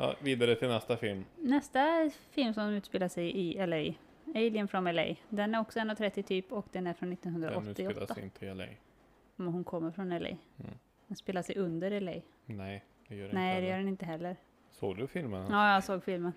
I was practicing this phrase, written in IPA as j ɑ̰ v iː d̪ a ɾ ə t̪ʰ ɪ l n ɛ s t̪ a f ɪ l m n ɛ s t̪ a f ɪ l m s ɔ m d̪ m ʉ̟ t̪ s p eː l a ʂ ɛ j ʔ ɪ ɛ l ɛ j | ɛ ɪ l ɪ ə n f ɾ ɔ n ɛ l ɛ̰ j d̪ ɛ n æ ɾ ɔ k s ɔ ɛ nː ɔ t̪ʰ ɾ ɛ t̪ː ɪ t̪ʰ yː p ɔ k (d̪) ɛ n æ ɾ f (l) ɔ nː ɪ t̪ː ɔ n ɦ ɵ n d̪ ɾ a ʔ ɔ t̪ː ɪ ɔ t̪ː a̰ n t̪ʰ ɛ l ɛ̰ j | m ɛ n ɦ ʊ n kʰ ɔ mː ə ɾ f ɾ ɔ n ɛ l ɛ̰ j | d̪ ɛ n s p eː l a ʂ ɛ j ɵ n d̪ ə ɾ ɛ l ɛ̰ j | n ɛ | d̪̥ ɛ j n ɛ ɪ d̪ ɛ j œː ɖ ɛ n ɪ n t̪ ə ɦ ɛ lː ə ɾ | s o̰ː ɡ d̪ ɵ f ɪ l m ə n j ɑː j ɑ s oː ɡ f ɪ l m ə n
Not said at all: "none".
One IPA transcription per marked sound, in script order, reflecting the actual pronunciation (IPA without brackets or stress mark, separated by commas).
d̪, ɾ